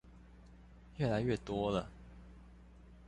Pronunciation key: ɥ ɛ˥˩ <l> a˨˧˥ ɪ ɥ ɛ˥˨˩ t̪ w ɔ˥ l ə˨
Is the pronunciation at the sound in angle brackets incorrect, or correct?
correct